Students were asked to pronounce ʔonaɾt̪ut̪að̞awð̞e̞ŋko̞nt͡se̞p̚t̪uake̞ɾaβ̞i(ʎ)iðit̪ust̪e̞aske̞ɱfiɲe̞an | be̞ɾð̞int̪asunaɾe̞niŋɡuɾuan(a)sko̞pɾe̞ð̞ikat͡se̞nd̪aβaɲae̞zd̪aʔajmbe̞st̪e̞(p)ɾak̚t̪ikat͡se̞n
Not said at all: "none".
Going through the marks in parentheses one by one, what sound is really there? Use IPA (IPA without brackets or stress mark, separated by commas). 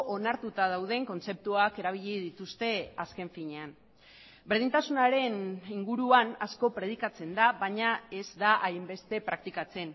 ʎ, a, p